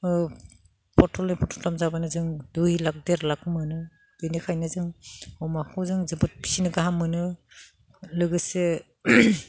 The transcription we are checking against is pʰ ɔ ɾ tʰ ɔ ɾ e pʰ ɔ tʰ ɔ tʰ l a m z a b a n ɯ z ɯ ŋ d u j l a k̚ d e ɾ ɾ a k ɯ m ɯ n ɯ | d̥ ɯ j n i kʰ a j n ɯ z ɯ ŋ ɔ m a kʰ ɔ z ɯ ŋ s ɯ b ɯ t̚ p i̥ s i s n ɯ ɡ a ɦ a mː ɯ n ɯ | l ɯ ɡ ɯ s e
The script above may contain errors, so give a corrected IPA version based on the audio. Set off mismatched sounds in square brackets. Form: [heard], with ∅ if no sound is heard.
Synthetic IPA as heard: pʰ ɔ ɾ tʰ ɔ [l] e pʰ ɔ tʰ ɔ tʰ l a m z a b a n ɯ z ɯ ŋ d u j l a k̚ d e ɾ [l] a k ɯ m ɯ n ɯ | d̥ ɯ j n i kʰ a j n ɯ z ɯ ŋ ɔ m a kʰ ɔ z ɯ ŋ [z] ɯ b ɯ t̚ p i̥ s i [∅] n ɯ ɡ a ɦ a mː ɯ n ɯ | l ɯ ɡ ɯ s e